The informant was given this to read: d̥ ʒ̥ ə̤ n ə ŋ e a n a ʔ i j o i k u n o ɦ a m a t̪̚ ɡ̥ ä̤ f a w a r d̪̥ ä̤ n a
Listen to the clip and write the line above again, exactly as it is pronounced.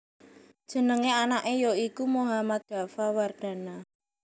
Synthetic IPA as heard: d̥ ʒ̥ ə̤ n ə ŋ e a n a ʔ e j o i k u m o ɦ a m a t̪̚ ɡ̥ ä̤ f a w a r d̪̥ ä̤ n a